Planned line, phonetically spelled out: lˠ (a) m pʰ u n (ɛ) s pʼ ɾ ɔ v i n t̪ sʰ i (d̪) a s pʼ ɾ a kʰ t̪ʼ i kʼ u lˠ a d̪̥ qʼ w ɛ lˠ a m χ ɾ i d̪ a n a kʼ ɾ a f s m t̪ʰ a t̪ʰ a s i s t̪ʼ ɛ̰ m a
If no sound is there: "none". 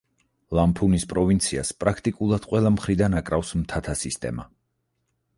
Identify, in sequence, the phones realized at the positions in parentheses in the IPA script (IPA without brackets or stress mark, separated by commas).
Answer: a, i, none